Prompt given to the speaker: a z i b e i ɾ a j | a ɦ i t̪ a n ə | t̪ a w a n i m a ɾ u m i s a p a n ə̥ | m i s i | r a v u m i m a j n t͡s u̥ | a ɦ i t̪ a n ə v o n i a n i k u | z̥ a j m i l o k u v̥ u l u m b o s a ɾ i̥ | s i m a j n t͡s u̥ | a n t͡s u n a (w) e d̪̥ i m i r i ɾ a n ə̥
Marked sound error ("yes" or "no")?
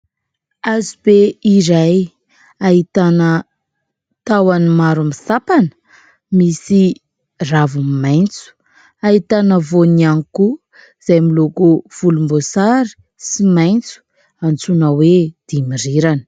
no